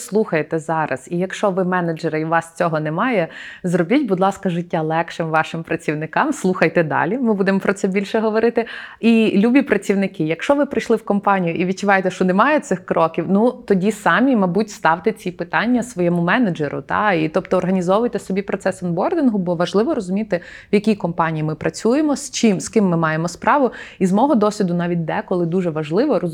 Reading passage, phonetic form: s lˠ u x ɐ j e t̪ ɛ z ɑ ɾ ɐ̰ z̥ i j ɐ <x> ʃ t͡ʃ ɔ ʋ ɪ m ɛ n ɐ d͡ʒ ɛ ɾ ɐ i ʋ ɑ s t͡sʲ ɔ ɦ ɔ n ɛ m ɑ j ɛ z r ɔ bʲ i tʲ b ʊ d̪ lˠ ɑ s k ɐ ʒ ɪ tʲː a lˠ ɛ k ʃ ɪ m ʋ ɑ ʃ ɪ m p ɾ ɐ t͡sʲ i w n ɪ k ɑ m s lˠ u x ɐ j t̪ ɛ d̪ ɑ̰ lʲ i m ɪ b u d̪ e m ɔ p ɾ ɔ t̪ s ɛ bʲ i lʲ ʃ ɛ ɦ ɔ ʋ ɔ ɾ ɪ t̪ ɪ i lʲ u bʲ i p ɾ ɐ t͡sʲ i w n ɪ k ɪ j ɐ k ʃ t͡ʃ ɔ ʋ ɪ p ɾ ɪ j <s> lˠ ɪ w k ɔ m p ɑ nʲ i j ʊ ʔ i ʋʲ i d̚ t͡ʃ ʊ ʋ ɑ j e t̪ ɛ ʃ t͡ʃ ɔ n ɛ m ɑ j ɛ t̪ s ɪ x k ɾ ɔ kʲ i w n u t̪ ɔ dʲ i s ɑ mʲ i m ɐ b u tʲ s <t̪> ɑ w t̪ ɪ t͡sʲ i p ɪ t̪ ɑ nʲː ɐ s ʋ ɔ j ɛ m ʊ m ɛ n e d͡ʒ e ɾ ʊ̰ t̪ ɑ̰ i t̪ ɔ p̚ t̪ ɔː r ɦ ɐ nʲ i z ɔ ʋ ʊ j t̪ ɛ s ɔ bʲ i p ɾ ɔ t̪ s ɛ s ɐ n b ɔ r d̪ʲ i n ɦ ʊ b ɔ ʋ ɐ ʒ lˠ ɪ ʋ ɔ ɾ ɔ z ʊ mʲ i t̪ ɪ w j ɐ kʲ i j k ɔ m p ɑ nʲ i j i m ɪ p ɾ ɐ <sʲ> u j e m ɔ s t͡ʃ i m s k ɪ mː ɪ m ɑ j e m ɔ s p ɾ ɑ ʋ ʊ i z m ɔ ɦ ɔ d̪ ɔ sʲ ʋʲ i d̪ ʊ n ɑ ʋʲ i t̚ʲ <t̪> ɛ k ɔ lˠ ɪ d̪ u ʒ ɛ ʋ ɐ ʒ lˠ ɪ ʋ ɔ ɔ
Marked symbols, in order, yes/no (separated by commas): no, no, yes, no, no